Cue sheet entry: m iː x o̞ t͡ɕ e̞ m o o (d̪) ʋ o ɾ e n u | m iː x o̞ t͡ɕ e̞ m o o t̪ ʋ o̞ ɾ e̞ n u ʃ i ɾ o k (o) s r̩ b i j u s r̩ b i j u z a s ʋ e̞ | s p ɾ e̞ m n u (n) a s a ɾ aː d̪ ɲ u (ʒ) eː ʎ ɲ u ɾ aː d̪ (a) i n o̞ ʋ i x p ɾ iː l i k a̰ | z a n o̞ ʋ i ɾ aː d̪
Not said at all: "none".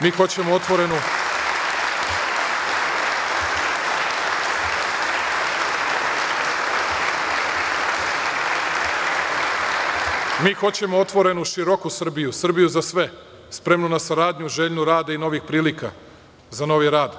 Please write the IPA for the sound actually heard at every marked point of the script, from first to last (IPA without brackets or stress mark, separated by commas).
t̪, u, n, ʒ, a